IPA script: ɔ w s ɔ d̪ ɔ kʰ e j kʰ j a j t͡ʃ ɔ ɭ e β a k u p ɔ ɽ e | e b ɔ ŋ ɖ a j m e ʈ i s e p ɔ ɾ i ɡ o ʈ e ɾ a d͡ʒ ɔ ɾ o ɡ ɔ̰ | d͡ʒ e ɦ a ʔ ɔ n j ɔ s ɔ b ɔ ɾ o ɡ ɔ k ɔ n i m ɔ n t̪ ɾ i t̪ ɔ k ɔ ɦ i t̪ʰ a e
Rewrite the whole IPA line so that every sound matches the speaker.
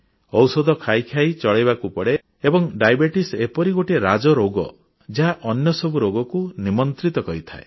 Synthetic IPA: ɔ w s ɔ d̪ ɔ kʰ a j kʰ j a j t͡ʃ ɔ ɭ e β a k u p ɔ ɽ e | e b ɔ ŋ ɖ a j b e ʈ i s e p ɔ ɾ i ɡ o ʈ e ɾ a d͡ʒ ɔ ɾ o ɡ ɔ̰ | d͡ʒ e ɦ a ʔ ɔ n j ɔ s ɔ b u ɾ o ɡ ɔ k u n i m ɔ n t̪ ɾ i t̪ ɔ k ɔ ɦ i t̪ʰ a e